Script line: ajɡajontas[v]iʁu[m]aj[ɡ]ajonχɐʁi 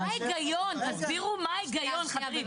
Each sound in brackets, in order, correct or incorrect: incorrect, correct, correct

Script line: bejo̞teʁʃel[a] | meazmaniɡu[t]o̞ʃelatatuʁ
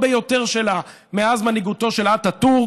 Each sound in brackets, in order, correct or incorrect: correct, correct

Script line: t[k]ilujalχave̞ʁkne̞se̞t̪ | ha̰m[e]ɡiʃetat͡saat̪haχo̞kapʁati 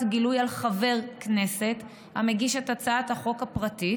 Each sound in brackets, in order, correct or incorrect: incorrect, correct

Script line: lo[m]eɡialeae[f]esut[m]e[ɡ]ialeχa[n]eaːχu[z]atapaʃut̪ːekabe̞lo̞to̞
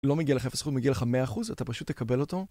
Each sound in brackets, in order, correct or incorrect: correct, correct, correct, correct, incorrect, correct

